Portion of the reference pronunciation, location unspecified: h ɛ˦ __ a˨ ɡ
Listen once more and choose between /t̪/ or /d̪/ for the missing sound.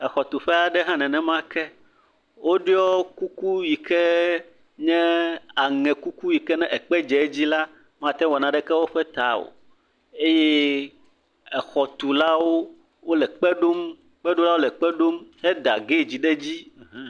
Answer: d̪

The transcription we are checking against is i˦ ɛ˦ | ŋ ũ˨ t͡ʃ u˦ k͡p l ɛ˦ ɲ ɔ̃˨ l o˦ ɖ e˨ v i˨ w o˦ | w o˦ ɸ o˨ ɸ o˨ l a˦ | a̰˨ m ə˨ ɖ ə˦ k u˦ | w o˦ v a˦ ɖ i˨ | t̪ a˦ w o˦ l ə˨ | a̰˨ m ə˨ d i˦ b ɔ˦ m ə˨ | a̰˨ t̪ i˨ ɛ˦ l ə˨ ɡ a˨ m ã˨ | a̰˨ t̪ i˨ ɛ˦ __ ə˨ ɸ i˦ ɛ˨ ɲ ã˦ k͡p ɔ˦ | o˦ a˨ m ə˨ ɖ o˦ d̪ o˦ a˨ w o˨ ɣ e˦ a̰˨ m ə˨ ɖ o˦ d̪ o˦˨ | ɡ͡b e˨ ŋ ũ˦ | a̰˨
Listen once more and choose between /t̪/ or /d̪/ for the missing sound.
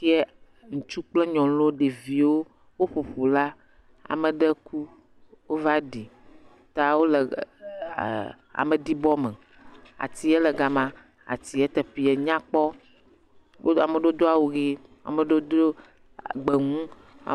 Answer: t̪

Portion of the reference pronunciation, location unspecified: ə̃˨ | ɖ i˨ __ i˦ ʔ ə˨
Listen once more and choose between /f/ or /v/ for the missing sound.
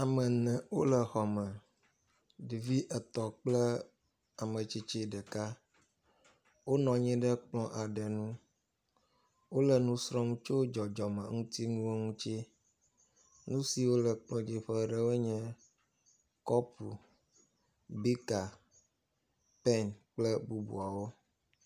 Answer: v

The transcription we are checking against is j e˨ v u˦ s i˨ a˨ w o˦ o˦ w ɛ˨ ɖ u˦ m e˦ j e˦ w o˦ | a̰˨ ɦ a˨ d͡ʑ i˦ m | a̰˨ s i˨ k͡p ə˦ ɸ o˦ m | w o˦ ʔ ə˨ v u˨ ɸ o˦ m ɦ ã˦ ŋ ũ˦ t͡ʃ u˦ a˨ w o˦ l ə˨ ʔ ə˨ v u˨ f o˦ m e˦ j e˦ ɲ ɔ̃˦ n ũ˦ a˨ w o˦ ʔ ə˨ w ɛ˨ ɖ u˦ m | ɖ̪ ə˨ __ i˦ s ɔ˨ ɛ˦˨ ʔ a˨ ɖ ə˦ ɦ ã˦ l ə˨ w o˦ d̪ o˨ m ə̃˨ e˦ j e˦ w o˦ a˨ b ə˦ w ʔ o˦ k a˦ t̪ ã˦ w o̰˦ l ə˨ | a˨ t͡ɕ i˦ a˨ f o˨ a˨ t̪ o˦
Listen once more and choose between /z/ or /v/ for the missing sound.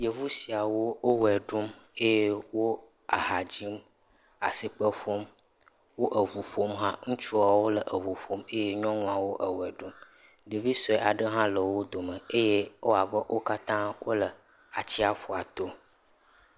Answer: v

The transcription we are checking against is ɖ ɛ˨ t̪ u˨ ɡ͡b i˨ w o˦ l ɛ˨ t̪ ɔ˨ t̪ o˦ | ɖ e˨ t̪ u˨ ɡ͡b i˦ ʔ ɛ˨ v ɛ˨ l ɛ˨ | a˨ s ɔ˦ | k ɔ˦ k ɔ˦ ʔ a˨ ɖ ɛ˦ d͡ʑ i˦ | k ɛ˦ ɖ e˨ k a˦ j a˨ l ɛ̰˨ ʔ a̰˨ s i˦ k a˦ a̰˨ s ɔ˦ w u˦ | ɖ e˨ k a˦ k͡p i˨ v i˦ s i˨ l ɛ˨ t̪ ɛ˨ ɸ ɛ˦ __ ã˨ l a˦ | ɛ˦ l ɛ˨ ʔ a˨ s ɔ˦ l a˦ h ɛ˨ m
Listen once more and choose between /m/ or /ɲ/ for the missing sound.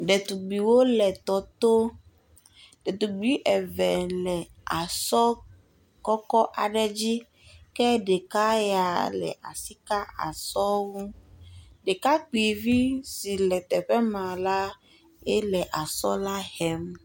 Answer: m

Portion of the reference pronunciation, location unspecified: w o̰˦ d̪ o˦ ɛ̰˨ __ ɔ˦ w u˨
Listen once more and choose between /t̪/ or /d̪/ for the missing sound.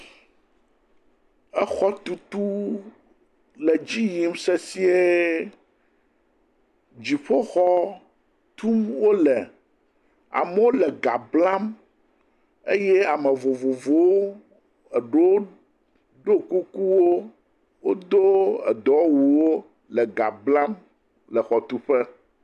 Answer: d̪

